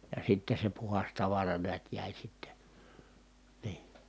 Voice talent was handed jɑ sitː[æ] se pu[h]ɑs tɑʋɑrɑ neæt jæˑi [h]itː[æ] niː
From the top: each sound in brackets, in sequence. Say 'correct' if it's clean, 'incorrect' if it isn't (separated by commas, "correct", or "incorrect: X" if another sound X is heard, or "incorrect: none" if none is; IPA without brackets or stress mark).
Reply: incorrect: e, correct, incorrect: s, incorrect: e